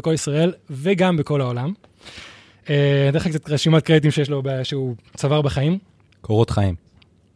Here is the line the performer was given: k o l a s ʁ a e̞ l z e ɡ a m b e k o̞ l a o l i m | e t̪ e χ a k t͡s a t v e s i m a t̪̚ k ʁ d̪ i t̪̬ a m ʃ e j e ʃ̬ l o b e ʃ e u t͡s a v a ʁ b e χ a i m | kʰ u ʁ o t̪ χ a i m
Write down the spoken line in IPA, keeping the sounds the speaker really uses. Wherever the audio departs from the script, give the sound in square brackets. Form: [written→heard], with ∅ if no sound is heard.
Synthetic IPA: k o l [a→i] s ʁ a e̞ l [z→v] e ɡ a m b e k o̞ l a o l [i→a] m | e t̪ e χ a k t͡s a t [v→ʁ] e [s→ʃ] i m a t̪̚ k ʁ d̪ i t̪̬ [a→i] m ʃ e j e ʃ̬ l o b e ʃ e u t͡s a v a ʁ b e χ a i m | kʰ [u→o] ʁ o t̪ χ a i m